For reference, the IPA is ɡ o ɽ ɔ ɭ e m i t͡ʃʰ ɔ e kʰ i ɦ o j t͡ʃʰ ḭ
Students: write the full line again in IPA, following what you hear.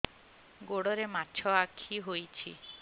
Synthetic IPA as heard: ɡ o ɽ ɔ ɾ e m a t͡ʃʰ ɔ a kʰ i ɦ o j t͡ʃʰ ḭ